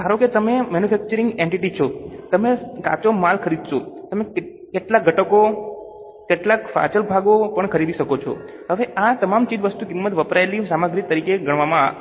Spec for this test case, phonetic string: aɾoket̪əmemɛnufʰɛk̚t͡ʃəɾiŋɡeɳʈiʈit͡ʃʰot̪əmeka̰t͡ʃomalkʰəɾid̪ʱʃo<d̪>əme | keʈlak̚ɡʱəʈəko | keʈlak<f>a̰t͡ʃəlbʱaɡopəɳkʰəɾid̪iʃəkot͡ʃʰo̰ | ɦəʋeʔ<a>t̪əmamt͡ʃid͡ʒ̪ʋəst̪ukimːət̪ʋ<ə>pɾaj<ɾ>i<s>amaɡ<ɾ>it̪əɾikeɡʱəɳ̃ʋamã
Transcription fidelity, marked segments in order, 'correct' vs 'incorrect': incorrect, correct, correct, correct, incorrect, correct, correct

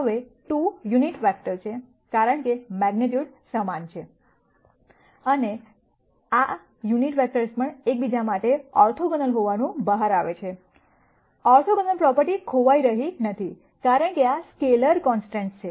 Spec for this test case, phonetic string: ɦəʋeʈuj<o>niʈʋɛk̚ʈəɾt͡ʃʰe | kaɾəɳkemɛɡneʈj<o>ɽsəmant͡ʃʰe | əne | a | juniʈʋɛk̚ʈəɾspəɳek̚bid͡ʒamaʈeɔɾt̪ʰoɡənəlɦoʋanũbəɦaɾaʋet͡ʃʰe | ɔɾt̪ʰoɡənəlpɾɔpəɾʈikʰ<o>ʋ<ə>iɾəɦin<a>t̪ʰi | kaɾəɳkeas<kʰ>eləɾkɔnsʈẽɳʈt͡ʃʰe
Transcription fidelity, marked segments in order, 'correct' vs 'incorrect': incorrect, incorrect, correct, incorrect, incorrect, incorrect

